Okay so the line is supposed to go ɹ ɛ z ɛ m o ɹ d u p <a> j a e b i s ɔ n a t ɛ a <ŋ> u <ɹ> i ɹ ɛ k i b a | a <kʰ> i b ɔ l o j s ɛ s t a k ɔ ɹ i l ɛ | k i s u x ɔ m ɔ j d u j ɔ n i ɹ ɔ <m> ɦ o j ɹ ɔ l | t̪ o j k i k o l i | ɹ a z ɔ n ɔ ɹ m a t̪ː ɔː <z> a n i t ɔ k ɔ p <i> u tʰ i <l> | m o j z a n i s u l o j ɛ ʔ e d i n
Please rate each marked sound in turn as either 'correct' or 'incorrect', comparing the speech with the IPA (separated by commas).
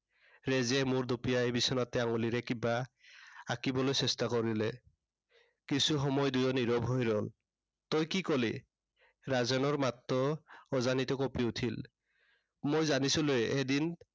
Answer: incorrect, correct, incorrect, incorrect, incorrect, correct, correct, correct